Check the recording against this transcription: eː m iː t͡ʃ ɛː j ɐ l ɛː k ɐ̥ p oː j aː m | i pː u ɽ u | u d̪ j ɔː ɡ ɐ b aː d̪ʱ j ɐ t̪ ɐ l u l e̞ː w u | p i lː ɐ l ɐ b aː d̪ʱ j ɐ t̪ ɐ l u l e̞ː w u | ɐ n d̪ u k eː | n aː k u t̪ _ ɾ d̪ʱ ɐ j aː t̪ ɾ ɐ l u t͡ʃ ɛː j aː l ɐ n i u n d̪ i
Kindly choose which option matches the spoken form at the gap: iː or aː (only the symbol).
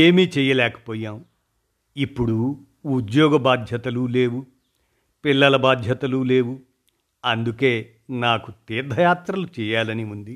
iː